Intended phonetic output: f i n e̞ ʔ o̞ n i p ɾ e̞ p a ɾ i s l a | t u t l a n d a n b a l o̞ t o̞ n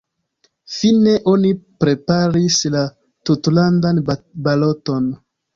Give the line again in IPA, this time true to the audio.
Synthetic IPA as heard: f i n e̞ ʔ o̞ n i p ɾ e̞ p a ɾ i s l a | t u t l a n d a n b a l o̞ t o̞ n

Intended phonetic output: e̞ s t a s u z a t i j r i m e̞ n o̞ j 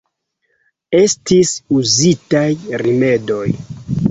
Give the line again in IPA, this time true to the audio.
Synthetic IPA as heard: e̞ s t i s u z i t a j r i m e̞ d o̞ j

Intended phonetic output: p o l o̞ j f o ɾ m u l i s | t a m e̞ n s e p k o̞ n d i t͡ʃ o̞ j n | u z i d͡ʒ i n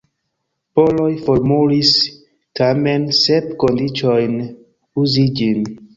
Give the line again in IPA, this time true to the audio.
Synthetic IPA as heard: p o l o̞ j f o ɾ m u l i s | t a m e̞ n s e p k o̞ n d i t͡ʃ o̞ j n | u z i d͡ʒ i n

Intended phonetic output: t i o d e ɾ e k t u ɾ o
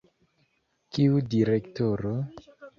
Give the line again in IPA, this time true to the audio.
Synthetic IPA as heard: k i u d i ɾ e k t o ɾ o

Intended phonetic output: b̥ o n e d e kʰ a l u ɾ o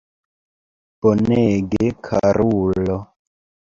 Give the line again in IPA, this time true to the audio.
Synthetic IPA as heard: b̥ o n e ɡ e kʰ a ɾ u l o

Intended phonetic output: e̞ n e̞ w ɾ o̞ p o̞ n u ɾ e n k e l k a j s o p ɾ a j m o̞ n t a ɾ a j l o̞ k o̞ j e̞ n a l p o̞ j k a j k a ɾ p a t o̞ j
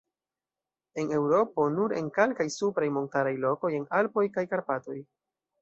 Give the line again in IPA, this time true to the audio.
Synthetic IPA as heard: e̞ n e̞ w ɾ o̞ p o̞ n u ɾ e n k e l k a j s u p ɾ a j m o̞ n t a ɾ a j l o̞ k o̞ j e̞ n a l p o̞ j k a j k a ɾ p a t o̞ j

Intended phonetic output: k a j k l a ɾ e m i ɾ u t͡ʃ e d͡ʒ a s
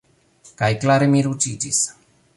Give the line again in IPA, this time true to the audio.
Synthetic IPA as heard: k a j k l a ɾ e m i ɾ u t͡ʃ i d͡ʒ i s

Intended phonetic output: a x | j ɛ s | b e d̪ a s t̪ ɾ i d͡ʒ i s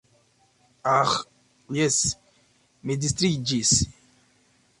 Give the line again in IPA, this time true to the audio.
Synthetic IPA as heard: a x | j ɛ s | m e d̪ i s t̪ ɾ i d͡ʒ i s

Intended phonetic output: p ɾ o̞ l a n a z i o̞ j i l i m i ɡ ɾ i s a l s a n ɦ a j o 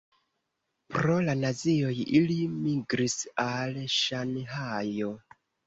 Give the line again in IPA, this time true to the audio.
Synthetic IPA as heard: p ɾ o̞ l a n a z i o̞ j i l i m i ɡ ɾ i s a l ʃ a n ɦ a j o

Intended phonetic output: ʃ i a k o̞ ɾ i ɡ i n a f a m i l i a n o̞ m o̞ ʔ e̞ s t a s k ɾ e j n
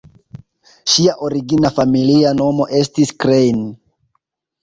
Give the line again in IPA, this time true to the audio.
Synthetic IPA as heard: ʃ i a ʔ o̞ ɾ i ɡ i n a f a m i l i a n o̞ m o̞ ʔ e̞ s t i s k ɾ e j n

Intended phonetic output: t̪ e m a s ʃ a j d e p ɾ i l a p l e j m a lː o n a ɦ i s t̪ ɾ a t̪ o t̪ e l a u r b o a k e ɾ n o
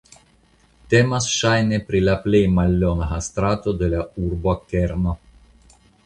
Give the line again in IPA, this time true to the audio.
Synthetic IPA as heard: t̪ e m a s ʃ a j n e p ɾ i l a p l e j m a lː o n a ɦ a s t̪ ɾ a t̪ o d̪ e l a u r b o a k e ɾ n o

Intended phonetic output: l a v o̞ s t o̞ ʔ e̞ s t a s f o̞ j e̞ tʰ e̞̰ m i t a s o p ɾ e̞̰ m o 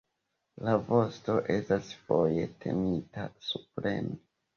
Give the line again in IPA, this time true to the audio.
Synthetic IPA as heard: l a v o̞ s t o̞ ʔ e̞ s t a s f o̞ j e̞ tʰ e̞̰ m i t a s u p ɾ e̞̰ m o

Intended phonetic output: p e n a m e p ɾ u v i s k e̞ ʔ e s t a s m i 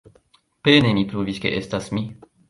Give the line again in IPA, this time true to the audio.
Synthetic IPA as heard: p e n e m i p ɾ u v i s k e̞ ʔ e s t a s m i

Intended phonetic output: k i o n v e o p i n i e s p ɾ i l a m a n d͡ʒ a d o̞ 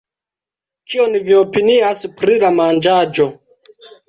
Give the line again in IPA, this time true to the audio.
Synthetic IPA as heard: k i o n v i o p i n i a s p ɾ i l a m a n d͡ʒ a d͡ʒ o̞

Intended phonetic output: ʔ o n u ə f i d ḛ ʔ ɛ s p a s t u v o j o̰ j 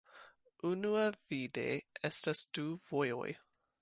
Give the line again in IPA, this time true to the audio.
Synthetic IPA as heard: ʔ u n u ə v i d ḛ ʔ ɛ s t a s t u v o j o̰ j

